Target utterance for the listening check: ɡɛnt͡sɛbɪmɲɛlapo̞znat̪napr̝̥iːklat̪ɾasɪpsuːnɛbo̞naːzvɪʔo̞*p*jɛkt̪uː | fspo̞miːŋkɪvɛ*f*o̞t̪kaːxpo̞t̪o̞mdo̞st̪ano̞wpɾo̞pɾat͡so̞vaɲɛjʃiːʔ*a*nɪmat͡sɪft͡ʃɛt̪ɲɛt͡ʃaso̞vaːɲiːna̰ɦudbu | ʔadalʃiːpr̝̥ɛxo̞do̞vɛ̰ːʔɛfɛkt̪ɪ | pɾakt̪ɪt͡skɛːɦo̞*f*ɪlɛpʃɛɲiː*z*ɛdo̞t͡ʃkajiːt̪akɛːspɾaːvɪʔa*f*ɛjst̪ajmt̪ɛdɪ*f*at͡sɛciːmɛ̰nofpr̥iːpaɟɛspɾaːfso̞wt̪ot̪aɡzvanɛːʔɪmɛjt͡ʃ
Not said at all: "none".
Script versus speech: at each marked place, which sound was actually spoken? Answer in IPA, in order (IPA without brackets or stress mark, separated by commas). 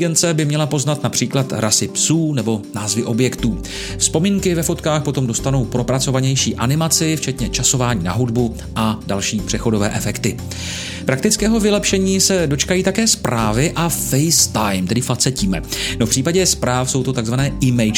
b, f, a, v, s, f, f